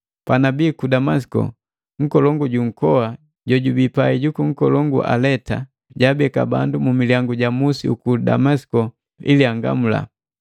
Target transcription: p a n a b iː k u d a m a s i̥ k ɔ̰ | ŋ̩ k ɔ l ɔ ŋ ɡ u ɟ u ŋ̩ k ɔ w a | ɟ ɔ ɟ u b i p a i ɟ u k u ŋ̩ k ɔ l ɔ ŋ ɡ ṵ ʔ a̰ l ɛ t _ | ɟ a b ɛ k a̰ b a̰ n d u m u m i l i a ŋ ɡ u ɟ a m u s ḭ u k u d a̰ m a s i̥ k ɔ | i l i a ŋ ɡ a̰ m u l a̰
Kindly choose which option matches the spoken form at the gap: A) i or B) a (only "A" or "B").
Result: B